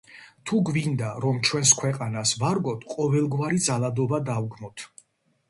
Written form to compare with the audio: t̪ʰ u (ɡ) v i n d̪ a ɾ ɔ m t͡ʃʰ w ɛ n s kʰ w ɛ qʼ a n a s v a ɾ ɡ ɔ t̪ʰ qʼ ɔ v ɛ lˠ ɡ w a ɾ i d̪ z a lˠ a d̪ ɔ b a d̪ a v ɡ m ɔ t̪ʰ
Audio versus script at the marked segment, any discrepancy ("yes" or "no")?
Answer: no